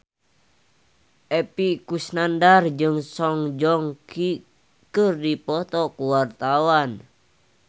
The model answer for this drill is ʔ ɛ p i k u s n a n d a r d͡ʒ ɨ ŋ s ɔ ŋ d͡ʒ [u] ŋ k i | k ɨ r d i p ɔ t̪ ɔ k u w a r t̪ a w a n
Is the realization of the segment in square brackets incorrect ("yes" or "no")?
yes